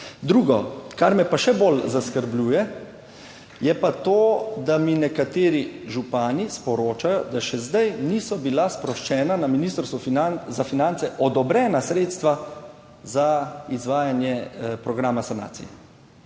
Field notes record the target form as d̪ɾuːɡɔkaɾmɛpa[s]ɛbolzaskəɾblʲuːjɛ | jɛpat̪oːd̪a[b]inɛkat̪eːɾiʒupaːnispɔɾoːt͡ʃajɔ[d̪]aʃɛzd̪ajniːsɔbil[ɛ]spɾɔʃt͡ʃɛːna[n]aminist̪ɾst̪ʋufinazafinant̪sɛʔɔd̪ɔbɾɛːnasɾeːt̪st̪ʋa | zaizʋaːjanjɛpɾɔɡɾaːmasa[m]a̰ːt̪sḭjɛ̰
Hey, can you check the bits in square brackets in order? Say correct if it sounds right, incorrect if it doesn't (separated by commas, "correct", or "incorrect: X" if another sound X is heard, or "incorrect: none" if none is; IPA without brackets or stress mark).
incorrect: ʃ, incorrect: m, correct, incorrect: a, correct, incorrect: n